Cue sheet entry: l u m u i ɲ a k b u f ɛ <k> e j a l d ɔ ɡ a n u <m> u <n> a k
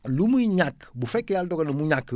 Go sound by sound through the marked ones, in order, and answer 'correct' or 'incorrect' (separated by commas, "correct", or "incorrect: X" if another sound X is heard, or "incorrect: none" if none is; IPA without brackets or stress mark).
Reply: correct, correct, incorrect: ɲ